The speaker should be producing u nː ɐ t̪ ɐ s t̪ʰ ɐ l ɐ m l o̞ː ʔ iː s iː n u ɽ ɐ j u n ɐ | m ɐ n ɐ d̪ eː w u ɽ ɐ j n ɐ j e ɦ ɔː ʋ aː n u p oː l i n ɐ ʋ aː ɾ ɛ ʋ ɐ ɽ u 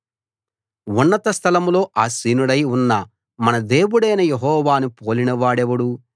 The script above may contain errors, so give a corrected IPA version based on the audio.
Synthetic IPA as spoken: u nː ɐ t̪ ɐ s t̪ʰ ɐ l ɐ m l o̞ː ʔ aː s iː n u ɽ ɐ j u nː ɐ | m ɐ n ɐ d̪ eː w u ɽ ɐ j n ɐ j e ɦ ɔː ʋ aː n u p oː l i n ɐ ʋ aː ɽ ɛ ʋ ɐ ɽ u

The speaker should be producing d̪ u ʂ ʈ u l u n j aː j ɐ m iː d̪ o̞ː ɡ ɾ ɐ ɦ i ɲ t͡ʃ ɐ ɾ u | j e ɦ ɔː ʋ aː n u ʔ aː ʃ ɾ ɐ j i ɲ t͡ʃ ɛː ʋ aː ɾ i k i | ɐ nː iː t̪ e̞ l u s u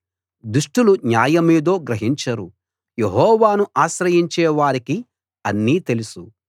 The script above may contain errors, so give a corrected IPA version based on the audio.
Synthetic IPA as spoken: d̪ u ʂ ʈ u l u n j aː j ɐ m iː d̪ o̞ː ɡ ɾ ɐ ɦ i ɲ t͡ʃ ɐ ɾ u | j e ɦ ɔː ʋ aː n u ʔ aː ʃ ɾ ɐ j i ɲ t͡ʃ ɛː ʋ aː ɾ i k i | ɐ nː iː t̪ e̞ l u s u

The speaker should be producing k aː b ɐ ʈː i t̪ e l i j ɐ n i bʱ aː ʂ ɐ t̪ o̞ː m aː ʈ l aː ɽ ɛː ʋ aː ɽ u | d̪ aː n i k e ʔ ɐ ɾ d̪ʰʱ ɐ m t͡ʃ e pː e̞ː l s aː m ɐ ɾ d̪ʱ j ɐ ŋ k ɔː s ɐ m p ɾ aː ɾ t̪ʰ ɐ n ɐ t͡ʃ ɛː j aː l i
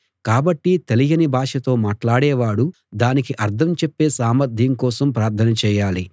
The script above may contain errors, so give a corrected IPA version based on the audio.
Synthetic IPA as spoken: k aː b ɐ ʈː i t̪ e l i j ɐ n i bʱ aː ʂ ɐ t̪ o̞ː m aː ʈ l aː ɽ ɛː ʋ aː ɽ u | d̪ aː n i k i ʔ ɐ ɾ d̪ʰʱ ɐ m t͡ʃ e pː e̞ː s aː m ɐ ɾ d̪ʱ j ɐ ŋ k ɔː s ɐ m p ɾ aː ɾ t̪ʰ ɐ n ɐ t͡ʃ ɛː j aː l i

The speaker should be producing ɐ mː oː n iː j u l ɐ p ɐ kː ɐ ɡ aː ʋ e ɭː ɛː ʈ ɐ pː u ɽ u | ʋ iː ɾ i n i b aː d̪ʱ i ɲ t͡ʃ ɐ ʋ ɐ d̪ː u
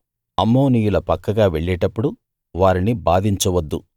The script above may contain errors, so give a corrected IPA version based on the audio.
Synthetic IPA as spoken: ɐ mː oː n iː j u l ɐ p ɐ kː ɐ ɡ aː ʋ e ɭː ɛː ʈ ɐ pː u ɽ u | ʋ aː ɾ i n i b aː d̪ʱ i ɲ t͡ʃ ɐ ʋ ɐ d̪ː u

